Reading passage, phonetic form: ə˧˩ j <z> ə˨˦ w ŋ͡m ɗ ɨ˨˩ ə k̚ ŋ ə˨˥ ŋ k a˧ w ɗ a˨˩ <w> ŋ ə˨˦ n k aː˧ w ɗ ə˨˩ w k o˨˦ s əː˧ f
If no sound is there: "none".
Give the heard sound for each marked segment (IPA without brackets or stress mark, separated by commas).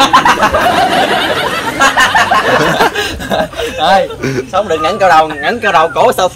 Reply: s, w